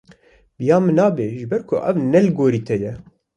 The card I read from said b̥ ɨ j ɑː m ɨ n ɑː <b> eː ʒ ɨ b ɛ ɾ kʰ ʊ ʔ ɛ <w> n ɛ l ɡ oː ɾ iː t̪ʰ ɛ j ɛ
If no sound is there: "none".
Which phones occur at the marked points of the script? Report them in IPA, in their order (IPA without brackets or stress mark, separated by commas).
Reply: b, v